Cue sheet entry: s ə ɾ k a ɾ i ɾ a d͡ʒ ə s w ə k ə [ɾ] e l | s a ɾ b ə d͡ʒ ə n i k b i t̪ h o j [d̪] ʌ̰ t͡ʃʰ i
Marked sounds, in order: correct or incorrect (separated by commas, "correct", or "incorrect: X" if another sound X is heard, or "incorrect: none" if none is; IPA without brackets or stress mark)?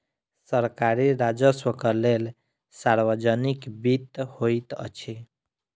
incorrect: l, incorrect: t̪